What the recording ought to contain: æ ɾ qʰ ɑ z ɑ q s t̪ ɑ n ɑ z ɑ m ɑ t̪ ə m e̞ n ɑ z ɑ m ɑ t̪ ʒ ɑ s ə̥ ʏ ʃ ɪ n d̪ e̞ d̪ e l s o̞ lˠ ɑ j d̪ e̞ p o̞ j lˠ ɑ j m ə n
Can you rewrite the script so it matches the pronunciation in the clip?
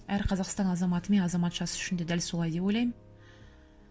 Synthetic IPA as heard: æ ɾ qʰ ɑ z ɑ q s t̪ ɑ n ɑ z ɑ m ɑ t̪ ə m e̞ n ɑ z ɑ m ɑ t̪ ʒ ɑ s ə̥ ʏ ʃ ɪ n d̪ e̞ d̪ æ l s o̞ lˠ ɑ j d̪ e̞ p o̞ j lˠ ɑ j m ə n

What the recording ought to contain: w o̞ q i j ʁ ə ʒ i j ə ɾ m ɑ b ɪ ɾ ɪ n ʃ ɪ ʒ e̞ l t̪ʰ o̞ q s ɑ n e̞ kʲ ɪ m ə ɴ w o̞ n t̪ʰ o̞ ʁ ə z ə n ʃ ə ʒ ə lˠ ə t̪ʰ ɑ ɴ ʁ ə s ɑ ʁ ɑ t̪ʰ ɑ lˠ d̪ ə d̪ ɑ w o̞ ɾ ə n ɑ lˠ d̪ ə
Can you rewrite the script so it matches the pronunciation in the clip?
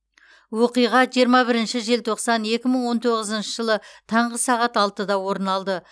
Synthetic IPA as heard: w o̞ q i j ʁ ɑ ʒ i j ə ɾ m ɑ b ɪ ɾ ɪ n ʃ ɪ ʒ e̞ l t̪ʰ o̞ q s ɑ n e̞ kʲ ɪ m ə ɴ w o̞ n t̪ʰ o̞ ʁ ə z ə n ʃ ə ʒ ə lˠ ə t̪ʰ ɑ ɴ ʁ ə s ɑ ʁ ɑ t̪ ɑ lˠ t̪ ə d̪ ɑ w o̞ ɾ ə n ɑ lˠ d̪ ə

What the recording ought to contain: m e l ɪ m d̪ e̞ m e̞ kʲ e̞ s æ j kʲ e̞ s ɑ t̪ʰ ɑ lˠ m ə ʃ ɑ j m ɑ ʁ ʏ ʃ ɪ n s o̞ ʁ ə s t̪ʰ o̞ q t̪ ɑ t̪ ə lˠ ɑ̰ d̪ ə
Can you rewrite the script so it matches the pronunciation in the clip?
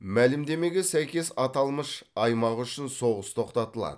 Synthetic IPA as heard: m æ l ɪ m d̪ e̞ m e̞ ɡʲ e̞ s æ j kʲ e̞ s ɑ t̪ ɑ lˠ m ə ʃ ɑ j m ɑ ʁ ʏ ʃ ɪ n s o̞ ʁ ə s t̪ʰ o̞ q t̪ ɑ t̪ ə lˠ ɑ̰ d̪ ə

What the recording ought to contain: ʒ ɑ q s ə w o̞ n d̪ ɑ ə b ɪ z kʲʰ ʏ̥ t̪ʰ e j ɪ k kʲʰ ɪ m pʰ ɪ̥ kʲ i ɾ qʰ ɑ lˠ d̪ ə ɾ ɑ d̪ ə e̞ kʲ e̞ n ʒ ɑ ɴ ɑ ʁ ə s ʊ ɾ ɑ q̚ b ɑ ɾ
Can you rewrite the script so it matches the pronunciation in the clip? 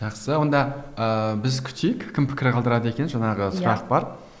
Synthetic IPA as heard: ʒ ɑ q s ə w o̞ n d̪ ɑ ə b ɪ z kʲʰ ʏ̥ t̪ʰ e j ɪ k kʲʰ ɪ m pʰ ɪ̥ kʲ ɪ ɾ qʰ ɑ lˠ d̪ ə ɾ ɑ d̪ ə e̞ kʲ e̞ n ʒ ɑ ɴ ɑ ʁ ə s ʊ ɾ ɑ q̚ b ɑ ɾ

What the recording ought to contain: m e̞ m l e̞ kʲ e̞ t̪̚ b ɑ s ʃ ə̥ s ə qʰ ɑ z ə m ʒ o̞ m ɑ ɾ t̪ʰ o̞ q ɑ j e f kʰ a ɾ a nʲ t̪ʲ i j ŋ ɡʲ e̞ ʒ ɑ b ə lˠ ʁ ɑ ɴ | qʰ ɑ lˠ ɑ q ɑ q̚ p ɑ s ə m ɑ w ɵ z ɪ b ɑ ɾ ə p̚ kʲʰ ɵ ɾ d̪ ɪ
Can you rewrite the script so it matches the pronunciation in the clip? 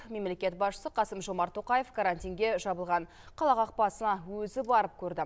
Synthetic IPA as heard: m e̞ m l e̞ kʲ e̞ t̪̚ b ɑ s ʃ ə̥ s ə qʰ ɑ s ə m ʒ o̞ m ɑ ɾ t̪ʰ o̞ q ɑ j e f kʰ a ɾ a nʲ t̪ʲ i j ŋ ɡʲ e̞ ʒ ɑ b ə lˠ ʁ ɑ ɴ | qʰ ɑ lˠ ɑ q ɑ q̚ p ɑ s ə n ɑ w ɵ z ɪ b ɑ ɾ ə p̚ kʲʰ ɵ ɾ d̪ ɪ

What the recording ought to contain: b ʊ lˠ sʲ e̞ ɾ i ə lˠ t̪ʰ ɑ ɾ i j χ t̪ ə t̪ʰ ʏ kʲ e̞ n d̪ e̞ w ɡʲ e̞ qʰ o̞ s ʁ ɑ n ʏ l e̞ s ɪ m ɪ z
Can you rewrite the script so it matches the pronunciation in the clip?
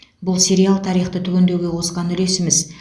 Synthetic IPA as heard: b ʊ lˠ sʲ e̞ ɾ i a lˠ t̪ʰ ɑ ɾ i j χ t̪ ə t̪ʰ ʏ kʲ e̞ n d̪ e̞ w ɡʲ e̞ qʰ o̞ s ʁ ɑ n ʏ l e̞ s ɪ m ɪ z

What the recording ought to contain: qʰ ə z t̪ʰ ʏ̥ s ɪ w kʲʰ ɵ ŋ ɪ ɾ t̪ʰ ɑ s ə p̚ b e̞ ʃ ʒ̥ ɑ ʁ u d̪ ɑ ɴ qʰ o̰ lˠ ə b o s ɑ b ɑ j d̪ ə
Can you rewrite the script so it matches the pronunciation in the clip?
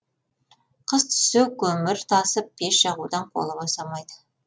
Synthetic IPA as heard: qʰ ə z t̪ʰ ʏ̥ s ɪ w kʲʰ ɵ m ɪ ɾ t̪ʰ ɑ s ə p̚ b e̞ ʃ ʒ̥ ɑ ʁ u d̪ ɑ ɴ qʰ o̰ lˠ ə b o s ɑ m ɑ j d̪ ə

